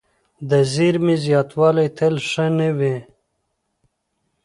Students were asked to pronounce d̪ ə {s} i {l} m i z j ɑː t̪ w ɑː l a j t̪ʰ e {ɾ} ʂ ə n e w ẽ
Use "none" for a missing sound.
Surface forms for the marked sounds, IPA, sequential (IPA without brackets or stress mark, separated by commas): z, ɾ, l